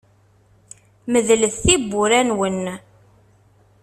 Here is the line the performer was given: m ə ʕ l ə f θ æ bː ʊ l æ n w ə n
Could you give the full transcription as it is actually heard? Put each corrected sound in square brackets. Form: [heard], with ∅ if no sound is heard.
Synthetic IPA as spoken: m ə [ð] l ə [θ] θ [i] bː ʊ [ɾ] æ n w ə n